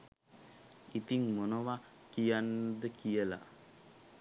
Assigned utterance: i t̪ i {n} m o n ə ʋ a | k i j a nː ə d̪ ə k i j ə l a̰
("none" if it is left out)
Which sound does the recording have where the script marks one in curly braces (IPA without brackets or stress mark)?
ŋ